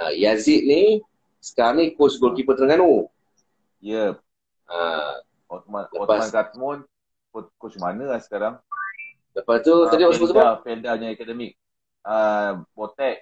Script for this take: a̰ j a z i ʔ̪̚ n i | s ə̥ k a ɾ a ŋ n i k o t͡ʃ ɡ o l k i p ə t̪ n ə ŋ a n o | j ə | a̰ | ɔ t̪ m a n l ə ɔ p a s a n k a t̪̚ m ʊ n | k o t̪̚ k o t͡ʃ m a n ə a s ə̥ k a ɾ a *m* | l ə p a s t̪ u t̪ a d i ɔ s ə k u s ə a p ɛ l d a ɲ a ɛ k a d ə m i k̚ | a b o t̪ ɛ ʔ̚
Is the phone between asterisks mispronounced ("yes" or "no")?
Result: yes